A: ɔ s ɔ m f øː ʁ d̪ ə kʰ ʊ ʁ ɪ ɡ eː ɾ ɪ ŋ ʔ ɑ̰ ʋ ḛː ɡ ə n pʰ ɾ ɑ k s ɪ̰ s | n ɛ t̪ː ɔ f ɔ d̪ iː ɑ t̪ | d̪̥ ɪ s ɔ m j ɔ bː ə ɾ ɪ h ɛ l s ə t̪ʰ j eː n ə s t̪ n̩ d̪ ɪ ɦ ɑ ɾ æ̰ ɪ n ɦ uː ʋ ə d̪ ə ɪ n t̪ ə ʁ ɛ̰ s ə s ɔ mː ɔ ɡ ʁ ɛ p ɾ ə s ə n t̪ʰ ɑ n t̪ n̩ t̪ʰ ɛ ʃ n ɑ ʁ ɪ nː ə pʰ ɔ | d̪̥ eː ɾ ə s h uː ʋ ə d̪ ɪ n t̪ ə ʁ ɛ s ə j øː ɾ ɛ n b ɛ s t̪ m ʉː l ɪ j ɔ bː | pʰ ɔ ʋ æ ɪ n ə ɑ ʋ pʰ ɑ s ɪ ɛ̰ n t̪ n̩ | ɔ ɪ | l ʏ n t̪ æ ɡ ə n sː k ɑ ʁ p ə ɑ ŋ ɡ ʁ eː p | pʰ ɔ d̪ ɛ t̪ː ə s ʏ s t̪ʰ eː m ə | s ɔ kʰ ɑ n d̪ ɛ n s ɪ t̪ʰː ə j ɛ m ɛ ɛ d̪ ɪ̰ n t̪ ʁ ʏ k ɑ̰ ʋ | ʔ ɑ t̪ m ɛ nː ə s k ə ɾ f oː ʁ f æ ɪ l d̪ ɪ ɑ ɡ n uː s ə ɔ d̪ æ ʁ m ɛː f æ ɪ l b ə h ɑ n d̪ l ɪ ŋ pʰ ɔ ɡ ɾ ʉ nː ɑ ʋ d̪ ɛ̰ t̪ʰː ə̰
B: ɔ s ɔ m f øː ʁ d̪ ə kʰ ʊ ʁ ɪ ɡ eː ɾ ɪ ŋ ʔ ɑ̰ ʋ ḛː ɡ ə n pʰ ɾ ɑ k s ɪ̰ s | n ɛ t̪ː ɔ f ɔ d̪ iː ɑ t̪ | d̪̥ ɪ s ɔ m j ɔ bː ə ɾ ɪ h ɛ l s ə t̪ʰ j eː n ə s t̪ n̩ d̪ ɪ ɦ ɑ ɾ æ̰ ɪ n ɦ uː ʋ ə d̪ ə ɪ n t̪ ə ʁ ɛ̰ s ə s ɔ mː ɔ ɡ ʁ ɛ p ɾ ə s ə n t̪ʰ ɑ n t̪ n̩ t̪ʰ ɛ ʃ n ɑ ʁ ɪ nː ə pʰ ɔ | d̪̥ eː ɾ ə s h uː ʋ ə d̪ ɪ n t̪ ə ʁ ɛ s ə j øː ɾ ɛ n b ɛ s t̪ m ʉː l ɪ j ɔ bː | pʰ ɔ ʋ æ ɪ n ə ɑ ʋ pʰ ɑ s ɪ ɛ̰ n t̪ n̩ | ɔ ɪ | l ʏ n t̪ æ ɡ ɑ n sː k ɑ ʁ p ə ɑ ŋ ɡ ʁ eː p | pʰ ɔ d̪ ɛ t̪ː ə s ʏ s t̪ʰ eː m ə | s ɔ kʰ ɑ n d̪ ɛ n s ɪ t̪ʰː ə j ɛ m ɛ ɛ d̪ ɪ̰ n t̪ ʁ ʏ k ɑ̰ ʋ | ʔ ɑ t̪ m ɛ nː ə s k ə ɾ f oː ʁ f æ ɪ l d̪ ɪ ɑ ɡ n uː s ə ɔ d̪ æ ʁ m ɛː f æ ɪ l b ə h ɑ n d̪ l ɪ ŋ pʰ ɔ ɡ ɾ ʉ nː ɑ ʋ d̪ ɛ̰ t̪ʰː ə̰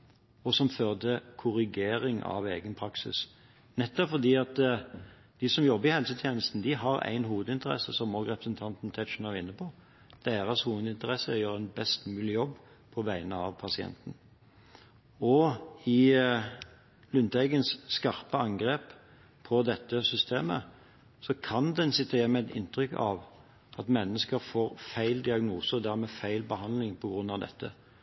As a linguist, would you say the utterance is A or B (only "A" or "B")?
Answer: A